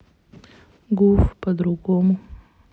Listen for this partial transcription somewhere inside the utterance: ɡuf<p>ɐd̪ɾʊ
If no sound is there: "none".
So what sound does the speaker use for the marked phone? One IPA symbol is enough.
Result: p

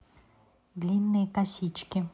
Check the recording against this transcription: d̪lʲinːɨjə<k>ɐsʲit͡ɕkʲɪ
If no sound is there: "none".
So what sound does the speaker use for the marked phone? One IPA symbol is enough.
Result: k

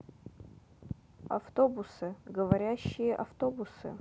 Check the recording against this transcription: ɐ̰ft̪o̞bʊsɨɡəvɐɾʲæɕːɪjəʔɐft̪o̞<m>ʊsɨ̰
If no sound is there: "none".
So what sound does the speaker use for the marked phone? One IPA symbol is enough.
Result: b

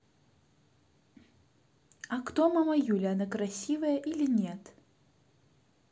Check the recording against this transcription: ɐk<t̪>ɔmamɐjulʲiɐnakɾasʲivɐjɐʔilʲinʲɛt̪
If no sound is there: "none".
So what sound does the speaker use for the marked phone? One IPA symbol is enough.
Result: t̪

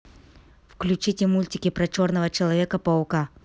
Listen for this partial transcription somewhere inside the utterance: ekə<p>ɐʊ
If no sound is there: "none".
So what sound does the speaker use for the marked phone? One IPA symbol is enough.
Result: p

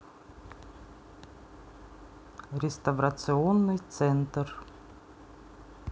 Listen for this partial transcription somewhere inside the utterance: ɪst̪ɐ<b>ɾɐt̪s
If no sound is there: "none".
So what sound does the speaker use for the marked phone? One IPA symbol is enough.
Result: v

